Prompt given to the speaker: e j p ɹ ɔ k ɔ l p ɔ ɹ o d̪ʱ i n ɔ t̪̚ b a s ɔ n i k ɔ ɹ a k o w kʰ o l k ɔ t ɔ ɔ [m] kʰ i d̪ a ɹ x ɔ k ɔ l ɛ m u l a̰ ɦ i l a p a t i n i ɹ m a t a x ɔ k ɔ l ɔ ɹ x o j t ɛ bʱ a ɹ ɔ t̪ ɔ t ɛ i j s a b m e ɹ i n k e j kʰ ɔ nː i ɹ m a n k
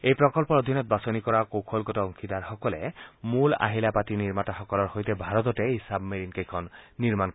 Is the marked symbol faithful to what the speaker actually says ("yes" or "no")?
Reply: no